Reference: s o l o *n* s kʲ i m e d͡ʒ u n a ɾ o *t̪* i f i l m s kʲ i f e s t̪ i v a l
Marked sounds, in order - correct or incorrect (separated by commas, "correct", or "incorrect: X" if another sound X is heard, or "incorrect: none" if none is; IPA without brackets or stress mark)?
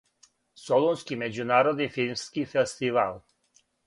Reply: correct, incorrect: d̪